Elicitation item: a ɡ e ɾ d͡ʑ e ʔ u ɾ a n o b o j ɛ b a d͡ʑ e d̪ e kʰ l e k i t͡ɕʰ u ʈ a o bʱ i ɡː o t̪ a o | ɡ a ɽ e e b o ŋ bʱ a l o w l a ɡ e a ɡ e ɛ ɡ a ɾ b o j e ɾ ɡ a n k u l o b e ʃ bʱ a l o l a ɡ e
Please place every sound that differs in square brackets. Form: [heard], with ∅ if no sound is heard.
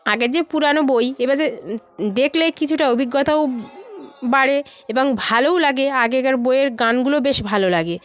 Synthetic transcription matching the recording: a ɡ e ɾ d͡ʑ e [p] u ɾ a n o b o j [e] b a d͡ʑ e d̪ e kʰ l e k i t͡ɕʰ u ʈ a o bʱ i ɡː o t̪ a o | [b] a ɽ e e b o ŋ bʱ a l o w l a ɡ e a ɡ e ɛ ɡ a ɾ b o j e ɾ ɡ a n [ɡ] u l o b e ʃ bʱ a l o l a ɡ e